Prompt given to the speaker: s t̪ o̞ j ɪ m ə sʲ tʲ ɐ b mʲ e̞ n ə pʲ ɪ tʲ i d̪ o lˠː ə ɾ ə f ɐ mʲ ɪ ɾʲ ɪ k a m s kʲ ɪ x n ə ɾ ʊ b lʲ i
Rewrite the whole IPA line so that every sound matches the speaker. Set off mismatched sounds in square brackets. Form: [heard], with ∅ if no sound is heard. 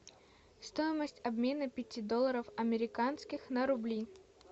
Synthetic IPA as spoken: s t̪ o̞ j ɪ m ə sʲ tʲ ɐ b mʲ e̞ n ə pʲ ɪ tʲ i d̪ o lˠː ə ɾ ə f ɐ mʲ ɪ ɾʲ ɪ k a [n] s kʲ ɪ x n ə ɾ ʊ b lʲ i